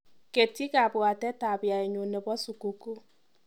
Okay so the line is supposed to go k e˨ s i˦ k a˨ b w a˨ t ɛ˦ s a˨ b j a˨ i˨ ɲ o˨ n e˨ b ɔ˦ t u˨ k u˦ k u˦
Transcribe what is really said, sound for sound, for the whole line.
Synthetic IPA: k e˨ t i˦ k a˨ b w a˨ t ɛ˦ t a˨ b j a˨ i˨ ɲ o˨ n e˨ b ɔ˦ s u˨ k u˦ k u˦